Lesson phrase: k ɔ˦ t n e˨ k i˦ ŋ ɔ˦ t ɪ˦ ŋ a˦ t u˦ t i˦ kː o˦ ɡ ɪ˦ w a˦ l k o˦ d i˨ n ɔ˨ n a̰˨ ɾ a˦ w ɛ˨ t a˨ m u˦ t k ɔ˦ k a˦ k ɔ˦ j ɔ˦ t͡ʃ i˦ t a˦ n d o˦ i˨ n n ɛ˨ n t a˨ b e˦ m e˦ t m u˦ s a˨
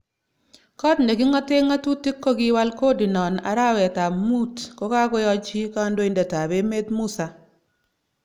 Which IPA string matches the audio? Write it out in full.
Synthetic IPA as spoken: k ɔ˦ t n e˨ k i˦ ŋ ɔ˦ t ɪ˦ ŋ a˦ t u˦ t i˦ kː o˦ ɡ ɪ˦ w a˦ l k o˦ d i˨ n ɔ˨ n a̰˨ ɾ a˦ w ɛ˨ t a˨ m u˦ t k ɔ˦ k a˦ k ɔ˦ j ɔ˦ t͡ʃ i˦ k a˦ n d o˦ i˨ n d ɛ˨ t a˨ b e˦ m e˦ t m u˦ s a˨